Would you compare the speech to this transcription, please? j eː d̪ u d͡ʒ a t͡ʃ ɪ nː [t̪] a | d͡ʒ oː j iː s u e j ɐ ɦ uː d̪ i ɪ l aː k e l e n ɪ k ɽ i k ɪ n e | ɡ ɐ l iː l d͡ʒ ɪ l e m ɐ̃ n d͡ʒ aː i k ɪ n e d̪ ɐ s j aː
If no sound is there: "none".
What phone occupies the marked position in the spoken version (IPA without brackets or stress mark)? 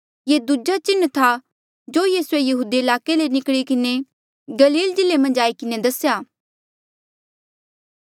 t̪ʰ